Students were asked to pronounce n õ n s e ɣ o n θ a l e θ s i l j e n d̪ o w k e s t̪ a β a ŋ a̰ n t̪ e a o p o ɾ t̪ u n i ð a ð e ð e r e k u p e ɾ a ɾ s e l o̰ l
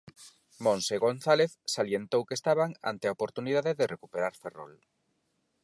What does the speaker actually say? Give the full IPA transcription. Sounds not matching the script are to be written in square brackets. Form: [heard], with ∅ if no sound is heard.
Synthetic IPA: [m] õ n s e ɣ o n θ a l e θ s [a] l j e n [t̪] o w k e s t̪ a β a ŋ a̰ n t̪ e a o p o ɾ t̪ u n i ð a ð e ð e r e k u p e ɾ a ɾ [f] e [r] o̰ l

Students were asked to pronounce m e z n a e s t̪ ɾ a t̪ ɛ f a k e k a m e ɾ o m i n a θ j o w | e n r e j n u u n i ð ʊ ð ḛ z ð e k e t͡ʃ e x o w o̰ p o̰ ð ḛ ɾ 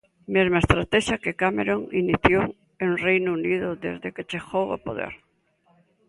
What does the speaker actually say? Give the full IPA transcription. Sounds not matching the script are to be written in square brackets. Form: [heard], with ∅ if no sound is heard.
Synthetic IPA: m e z [m] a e s t̪ ɾ a t̪ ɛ [ʃ] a k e k a m e ɾ o [ŋ] i n [i] θ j o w | e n r e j n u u n i ð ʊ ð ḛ z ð e k e t͡ʃ e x o w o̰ p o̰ ð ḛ ɾ

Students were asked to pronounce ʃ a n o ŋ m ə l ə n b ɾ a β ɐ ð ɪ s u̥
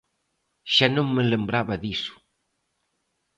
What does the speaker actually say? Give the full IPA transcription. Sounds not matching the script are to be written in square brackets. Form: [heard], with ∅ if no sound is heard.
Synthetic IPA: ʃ a n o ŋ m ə l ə [m] b ɾ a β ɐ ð [i] s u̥

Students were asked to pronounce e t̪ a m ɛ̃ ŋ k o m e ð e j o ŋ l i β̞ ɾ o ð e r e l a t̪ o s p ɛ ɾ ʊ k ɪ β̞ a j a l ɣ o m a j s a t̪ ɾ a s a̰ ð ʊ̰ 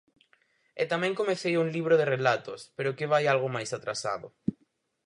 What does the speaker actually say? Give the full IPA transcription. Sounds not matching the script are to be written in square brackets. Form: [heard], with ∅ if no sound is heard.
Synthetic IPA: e t̪ a m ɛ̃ ŋ k o m e [θ] e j [u] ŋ l i β̞ ɾ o ð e r e l a t̪ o s p [e] ɾ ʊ k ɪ β̞ a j a l ɣ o m a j s a t̪ ɾ a s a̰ ð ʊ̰

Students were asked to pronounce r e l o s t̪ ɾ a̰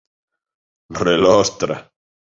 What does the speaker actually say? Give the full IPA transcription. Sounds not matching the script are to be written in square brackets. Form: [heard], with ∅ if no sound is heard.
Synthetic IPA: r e l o s t̪ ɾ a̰

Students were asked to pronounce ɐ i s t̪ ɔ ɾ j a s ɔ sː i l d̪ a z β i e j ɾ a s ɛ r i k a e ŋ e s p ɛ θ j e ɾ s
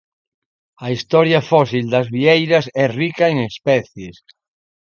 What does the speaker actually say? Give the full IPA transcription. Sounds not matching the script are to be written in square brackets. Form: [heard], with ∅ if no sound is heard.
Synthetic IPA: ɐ i s t̪ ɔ ɾ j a [f] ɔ [s] i l d̪ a z β i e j ɾ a s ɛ r i k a e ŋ e s p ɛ θ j e [∅] s

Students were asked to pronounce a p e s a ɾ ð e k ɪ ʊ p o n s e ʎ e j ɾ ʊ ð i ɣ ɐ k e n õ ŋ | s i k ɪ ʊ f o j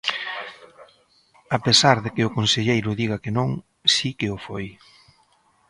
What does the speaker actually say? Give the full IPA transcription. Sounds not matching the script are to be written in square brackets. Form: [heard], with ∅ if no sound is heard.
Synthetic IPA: a p e s a ɾ ð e k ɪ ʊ [k] o n s e ʎ e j ɾ ʊ ð i ɣ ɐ k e n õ ŋ | s i k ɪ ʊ f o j

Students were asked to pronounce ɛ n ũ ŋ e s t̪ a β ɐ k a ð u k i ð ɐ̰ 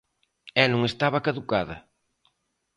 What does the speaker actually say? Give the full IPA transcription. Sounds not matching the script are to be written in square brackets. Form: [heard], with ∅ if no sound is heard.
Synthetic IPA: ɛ n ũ ŋ e s t̪ a β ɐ k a ð u k [a] ð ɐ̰

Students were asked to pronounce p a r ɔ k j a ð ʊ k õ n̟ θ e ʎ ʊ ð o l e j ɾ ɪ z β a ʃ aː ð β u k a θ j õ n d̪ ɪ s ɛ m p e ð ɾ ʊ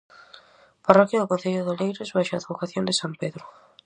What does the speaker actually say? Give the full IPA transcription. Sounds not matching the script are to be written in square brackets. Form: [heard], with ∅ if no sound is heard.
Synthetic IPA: p a r ɔ k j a ð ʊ k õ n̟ θ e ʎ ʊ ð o l e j ɾ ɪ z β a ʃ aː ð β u k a θ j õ n d̪ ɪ s [a] m p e ð ɾ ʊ

